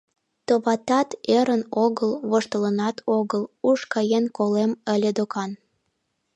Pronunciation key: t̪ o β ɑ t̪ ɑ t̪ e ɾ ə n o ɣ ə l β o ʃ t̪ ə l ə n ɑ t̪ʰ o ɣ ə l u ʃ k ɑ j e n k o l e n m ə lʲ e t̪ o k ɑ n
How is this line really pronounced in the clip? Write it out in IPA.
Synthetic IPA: t̪ o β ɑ t̪ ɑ t̪ e ɾ ə n o ɣ ə l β o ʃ t̪ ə l ə n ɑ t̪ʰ o ɣ ə l u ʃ k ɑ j e n k o l e m ə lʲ e d̪ o k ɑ n

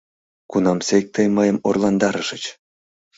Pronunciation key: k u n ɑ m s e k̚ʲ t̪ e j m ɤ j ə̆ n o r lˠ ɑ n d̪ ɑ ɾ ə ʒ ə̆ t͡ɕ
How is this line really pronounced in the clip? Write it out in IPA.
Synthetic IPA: k u n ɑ m s e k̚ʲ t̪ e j m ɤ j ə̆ m o r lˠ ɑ n d̪ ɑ ɾ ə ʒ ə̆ t͡ɕ

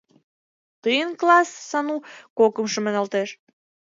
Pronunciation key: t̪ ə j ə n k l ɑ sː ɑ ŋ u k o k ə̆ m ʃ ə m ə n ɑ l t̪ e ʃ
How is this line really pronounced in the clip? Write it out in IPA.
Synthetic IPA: t̪ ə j ə n k l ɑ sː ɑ n u k o k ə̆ m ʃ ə m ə n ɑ l t̪ e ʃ

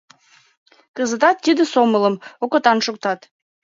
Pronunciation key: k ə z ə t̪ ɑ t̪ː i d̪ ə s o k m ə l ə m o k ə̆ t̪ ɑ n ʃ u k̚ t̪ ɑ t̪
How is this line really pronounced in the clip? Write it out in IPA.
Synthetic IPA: k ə z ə t̪ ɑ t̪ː i d̪ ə s o m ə l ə m o k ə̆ t̪ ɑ n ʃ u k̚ t̪ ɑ t̪

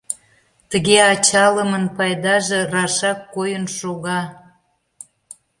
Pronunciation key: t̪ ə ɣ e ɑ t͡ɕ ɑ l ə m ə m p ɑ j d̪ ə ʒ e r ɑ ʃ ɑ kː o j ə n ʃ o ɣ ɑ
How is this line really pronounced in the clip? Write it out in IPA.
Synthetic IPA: t̪ ə ɣ e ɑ t͡ɕ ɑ l ə m ə n p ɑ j d̪ ɑ ʒ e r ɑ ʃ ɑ kː o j ə n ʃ o ɣ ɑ

